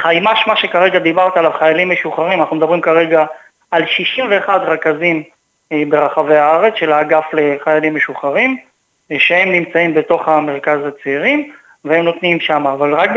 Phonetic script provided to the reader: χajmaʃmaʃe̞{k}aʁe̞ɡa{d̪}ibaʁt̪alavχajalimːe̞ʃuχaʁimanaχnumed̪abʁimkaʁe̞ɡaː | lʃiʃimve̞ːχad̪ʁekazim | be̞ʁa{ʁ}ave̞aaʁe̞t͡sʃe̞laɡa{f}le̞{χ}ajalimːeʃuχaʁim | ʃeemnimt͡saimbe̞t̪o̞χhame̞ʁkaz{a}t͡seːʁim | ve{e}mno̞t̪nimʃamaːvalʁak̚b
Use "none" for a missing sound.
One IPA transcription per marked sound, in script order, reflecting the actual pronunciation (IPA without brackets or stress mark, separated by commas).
k, d̪, χ, f, χ, a, e